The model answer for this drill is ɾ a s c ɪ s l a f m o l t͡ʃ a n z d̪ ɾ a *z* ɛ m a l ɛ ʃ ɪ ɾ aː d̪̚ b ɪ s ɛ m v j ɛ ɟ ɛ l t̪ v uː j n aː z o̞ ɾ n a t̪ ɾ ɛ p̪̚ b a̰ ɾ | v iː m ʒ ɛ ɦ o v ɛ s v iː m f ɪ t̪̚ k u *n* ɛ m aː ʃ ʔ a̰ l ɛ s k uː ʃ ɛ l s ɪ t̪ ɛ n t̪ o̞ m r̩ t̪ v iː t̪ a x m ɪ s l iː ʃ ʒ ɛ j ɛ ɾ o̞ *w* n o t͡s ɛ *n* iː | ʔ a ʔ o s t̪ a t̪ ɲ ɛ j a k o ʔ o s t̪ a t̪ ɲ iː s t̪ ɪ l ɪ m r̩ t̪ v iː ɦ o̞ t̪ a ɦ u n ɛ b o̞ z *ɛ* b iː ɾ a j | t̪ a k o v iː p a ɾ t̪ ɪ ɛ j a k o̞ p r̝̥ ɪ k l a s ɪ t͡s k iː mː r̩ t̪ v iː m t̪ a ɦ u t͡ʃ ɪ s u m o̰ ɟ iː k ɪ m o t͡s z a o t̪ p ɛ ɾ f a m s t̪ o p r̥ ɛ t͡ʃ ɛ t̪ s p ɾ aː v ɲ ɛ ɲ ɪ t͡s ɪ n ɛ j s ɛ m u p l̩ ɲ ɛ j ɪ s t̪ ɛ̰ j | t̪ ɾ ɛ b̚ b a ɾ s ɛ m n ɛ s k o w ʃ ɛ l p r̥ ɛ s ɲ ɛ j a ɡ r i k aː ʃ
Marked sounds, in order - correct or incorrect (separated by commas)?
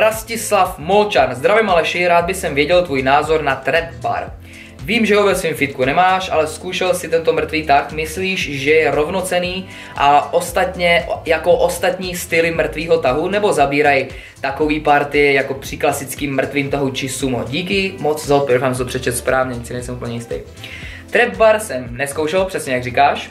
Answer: incorrect, correct, incorrect, correct, incorrect